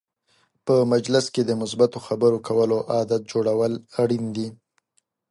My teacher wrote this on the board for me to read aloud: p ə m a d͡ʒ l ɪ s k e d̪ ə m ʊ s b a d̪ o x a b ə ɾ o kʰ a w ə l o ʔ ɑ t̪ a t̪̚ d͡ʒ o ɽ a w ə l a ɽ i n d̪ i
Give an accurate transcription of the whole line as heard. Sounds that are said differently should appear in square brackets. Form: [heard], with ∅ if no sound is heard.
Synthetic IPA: p ə m a d͡ʒ l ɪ s k e d̪ ə m ʊ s b a [t̪] o x a b ə ɾ o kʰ a w ə l o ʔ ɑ [d̪] a t̪̚ d͡ʒ o ɽ a w ə l a ɽ i n d̪ i